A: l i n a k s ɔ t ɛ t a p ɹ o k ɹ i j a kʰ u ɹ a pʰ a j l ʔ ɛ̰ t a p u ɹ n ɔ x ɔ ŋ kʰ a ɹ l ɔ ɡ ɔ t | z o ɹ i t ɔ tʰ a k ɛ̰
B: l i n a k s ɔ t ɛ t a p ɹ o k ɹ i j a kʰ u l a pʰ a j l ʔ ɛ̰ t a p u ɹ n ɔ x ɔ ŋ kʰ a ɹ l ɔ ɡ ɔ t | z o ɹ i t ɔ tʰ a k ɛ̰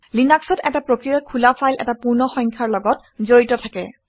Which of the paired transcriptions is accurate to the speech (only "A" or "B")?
B